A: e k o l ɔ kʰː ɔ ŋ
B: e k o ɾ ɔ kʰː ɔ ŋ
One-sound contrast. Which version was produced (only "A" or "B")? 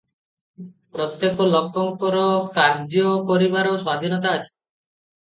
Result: A